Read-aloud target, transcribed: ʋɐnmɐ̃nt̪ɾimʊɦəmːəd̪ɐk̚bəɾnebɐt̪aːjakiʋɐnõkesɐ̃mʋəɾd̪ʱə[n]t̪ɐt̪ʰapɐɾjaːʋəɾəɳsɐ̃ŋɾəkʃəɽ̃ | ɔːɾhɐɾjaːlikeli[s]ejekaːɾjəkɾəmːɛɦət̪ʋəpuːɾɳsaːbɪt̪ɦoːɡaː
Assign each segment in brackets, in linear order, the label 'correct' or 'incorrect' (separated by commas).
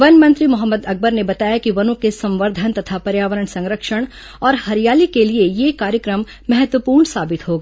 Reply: correct, incorrect